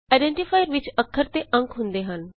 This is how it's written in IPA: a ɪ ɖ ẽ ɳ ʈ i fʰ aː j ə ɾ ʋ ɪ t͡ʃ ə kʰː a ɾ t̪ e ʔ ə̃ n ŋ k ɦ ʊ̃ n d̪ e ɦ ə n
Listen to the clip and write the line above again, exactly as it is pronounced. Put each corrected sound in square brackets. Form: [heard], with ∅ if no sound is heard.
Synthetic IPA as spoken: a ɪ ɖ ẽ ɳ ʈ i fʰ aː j ə ɾ ʋ ɪ t͡ʃ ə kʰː [ə] ɾ t̪ e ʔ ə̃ [∅] ŋ k ɦ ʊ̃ n d̪ e ɦ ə n